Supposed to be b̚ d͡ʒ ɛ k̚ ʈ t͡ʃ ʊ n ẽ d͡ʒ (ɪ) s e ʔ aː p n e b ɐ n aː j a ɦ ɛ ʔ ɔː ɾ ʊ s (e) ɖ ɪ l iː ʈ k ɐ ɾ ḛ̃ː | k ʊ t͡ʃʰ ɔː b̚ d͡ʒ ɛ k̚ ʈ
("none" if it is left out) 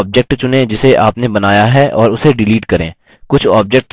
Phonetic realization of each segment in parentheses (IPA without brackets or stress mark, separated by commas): ɪ, e